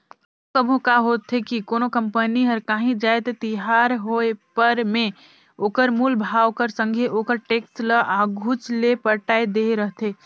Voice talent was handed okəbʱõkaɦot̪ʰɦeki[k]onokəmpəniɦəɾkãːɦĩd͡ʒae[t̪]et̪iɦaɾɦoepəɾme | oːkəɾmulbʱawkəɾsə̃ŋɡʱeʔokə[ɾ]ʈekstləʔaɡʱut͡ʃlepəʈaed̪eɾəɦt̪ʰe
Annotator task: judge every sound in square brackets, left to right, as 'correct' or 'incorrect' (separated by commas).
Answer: correct, correct, correct